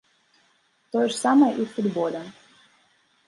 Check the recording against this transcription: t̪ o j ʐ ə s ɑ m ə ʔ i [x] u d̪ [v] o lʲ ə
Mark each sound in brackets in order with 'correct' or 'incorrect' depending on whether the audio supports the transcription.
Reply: incorrect, incorrect

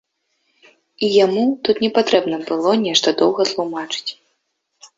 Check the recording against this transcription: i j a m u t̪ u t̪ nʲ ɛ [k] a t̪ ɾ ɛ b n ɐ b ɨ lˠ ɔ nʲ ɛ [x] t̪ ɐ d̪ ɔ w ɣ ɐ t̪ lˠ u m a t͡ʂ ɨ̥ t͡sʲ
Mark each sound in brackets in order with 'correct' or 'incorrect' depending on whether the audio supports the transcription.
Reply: incorrect, incorrect

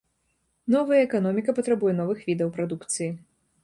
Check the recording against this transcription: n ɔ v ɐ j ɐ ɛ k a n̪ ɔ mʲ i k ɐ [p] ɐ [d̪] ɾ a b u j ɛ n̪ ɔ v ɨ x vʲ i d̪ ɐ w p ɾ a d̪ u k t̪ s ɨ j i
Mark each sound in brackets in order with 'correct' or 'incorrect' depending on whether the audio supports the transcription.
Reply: correct, incorrect

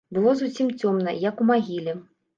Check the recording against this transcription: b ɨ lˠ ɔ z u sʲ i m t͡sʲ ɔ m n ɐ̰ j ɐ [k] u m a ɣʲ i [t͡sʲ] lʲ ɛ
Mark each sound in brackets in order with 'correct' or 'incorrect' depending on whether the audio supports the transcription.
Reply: correct, incorrect

